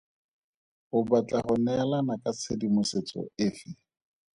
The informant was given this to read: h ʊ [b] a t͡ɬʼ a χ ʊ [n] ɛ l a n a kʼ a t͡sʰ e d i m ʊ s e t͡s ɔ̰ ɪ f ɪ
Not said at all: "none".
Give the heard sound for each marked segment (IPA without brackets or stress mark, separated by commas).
b, n